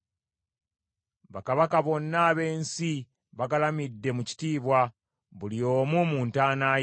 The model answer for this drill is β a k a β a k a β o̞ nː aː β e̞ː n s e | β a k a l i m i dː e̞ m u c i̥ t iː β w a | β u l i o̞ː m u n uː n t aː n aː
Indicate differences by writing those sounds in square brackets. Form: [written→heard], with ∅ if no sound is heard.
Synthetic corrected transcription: β a k a β a k a β o̞ nː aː β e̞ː n s [e→i] | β a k a l [i→a] m i dː e̞ m u c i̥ t iː β w a | β u l i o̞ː m u [n→m] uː n t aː n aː

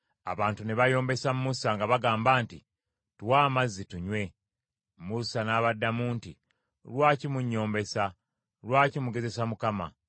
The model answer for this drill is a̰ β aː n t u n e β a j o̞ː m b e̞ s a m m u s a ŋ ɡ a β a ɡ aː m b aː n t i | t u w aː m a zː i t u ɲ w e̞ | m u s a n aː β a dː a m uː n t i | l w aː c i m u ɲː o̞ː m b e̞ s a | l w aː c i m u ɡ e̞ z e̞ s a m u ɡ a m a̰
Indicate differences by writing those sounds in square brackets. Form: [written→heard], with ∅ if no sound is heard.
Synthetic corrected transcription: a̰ β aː n t u n e β a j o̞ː m b e̞ s a m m u s a ŋ ɡ a β a ɡ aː m b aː n t i | t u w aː m a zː i t u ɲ w e̞ | m u s a n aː β a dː a m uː n t i | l w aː c i m u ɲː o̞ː m b e̞ s a | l w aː c i m u ɡ e̞ z e̞ s a m u [ɡ→k] a m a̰

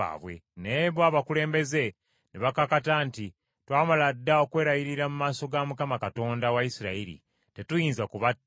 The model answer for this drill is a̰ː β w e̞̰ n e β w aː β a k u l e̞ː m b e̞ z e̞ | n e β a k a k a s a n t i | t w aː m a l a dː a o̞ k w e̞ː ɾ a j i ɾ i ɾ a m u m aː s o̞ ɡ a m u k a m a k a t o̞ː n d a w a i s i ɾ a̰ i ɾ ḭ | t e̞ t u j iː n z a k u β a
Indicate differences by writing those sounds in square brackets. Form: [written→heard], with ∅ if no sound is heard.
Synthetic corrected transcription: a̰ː β w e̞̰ n e β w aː β a k u l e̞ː m b e̞ z e̞ | n e β a k a k a [s→t] a n t i | t w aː m a l a dː a o̞ k w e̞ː ɾ a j i ɾ i ɾ a m u m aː s o̞ ɡ a m u k a m a k a t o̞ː n d a w a i s i ɾ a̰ i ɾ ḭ | t e̞ t u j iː n z a k u β a

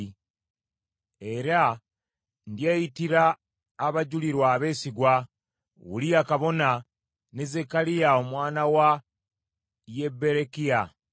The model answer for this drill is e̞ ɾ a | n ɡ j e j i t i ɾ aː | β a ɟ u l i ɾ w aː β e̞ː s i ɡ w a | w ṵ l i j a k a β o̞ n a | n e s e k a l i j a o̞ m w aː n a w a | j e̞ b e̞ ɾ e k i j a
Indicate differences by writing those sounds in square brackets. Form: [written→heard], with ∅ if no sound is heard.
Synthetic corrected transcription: e̞ ɾ a | n [ɡ→d] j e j i t i ɾ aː | β a ɟ u l i ɾ w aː β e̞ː s i ɡ w a | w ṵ l i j a k a β o̞ n a | n e [s→z] e k a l i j a o̞ m w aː n a w a | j e̞ b e̞ ɾ e k i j a

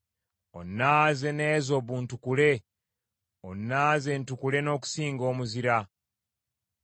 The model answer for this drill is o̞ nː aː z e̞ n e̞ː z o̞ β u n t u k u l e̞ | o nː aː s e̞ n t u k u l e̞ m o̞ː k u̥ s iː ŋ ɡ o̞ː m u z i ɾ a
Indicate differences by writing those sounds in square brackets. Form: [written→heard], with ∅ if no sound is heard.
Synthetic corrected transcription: o̞ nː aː z e̞ n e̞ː z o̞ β u n t u k u l e̞ | o nː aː [s→z] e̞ n t u k u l e̞ [m→n] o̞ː k u̥ s iː ŋ ɡ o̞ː m u z i ɾ a

